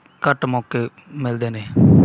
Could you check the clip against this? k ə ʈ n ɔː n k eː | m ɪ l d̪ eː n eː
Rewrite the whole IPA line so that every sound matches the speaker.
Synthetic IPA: k ə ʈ m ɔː k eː | m ɪ l d̪ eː n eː